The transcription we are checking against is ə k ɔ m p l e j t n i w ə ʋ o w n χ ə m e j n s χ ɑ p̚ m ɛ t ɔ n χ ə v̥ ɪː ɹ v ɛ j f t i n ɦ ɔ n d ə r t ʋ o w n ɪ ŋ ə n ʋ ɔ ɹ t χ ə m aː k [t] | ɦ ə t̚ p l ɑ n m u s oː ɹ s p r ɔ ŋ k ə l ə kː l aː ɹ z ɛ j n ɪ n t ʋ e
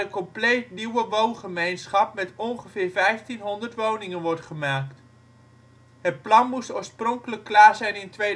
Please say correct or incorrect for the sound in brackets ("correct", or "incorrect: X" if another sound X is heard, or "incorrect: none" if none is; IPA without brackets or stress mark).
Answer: correct